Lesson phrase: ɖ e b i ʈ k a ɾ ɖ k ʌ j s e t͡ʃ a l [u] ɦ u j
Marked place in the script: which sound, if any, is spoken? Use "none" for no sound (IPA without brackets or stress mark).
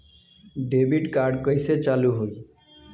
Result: u